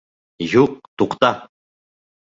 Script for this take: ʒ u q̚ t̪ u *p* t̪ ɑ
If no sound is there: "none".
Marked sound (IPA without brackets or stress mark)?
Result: q